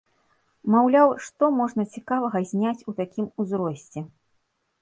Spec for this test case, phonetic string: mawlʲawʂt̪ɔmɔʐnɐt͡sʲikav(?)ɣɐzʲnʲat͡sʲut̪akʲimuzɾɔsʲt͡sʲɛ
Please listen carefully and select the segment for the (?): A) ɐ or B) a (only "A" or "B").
A